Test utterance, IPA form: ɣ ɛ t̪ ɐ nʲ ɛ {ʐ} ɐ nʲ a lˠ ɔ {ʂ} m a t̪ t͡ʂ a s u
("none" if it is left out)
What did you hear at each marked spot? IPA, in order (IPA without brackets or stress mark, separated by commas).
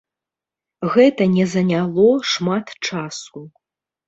z, ʂ